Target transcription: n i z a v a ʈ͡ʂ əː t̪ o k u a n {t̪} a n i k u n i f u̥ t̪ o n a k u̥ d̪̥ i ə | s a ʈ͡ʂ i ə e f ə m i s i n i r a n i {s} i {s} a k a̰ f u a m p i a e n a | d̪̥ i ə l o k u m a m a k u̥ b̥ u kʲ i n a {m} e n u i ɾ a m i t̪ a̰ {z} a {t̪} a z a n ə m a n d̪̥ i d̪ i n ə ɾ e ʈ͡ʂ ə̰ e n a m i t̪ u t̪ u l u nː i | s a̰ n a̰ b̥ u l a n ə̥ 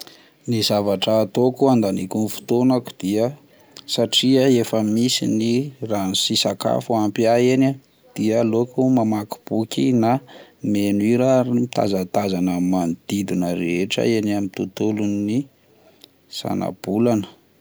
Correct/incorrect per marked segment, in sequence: incorrect: d̪, correct, correct, correct, correct, correct

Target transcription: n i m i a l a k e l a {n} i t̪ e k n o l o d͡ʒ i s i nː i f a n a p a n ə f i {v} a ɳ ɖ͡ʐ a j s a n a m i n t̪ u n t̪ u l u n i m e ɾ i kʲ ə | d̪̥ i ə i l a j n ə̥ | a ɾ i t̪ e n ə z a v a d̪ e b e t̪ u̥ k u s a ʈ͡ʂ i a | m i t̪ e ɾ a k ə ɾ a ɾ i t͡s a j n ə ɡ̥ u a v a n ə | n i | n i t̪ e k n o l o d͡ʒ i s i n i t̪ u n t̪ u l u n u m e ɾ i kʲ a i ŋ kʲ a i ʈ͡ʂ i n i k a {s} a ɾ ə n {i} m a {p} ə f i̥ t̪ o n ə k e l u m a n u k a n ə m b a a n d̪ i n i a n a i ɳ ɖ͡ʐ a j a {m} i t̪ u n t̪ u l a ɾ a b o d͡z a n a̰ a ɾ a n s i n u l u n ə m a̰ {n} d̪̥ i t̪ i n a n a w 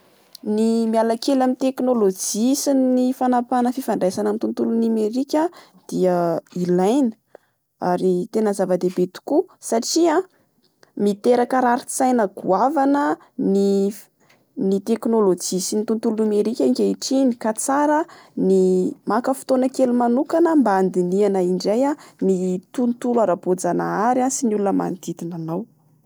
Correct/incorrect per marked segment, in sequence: incorrect: m, incorrect: f, incorrect: t͡s, correct, incorrect: k, incorrect: n, correct

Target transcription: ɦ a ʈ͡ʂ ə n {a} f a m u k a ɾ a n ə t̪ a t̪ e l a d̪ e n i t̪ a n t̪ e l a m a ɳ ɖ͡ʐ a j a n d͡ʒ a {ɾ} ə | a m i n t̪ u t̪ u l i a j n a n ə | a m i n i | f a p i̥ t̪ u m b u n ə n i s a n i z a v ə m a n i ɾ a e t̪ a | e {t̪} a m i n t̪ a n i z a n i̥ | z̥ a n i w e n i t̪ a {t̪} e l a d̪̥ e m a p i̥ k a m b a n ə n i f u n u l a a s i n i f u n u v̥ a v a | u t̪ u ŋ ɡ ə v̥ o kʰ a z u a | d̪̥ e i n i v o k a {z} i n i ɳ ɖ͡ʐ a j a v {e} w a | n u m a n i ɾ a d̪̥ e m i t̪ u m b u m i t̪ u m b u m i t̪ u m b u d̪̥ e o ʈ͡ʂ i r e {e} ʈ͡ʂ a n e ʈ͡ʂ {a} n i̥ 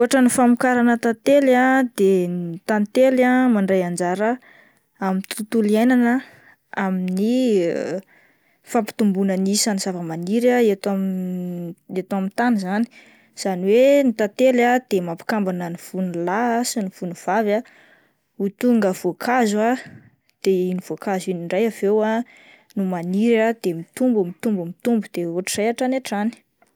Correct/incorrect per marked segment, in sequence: incorrect: i, correct, correct, correct, correct, correct, incorrect: a, correct

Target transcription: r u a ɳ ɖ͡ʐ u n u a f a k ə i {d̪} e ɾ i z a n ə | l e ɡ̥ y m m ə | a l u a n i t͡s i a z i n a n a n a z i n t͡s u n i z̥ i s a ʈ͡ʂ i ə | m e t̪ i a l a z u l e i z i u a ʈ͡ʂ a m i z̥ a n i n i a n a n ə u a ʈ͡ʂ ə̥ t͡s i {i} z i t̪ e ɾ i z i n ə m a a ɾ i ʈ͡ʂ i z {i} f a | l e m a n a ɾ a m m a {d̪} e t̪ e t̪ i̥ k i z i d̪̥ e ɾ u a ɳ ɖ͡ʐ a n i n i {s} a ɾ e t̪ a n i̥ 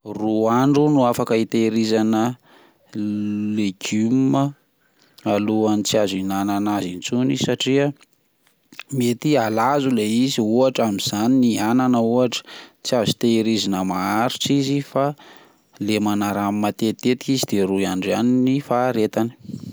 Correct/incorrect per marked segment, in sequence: incorrect: t̪, incorrect: a, correct, incorrect: t̪, incorrect: f

